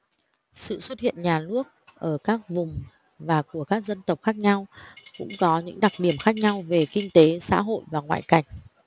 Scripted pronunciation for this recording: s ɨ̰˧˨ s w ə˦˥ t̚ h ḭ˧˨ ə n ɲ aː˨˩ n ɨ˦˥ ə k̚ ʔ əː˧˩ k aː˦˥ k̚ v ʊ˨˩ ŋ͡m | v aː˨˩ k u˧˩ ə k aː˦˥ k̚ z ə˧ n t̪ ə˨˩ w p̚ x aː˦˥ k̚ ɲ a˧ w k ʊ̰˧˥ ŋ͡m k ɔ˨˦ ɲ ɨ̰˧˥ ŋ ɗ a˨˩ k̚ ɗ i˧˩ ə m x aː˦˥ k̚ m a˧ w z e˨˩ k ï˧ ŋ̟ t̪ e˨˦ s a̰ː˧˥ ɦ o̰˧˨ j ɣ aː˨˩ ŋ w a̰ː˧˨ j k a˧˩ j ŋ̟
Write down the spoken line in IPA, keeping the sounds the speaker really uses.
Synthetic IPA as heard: s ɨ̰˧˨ s w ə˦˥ t̚ h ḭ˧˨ ə n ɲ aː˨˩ n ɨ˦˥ ə k̚ ʔ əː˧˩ k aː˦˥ k̚ v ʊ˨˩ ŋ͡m | v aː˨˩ k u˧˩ ə k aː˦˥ k̚ z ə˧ n t̪ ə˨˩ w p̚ x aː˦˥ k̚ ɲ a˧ w k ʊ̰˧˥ ŋ͡m k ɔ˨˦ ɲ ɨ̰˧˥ ŋ ɗ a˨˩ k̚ ɗ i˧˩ ə m x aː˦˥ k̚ ɲ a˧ w v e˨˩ k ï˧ ŋ̟ t̪ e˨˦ s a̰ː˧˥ ɦ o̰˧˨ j v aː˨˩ ŋ w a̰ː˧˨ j k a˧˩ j ŋ̟